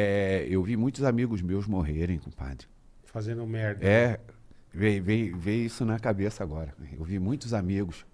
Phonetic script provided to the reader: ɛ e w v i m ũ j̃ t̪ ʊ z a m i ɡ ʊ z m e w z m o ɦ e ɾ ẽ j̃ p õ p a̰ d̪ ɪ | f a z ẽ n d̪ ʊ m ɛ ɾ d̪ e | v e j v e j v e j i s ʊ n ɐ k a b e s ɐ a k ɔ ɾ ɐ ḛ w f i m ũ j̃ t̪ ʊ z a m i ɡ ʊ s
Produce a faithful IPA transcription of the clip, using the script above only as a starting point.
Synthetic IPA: ɛ e w v i m ũ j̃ t̪ ʊ z a m i ɡ ʊ z m e w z m o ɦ e ɾ ẽ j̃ k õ p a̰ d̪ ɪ | f a z ẽ n d̪ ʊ m ɛ ɾ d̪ ɛ | v e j v e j v e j i s ʊ n ɐ k a b e s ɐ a ɡ ɔ ɾ ɐ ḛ w v i m ũ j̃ t̪ ʊ z a m i ɡ ʊ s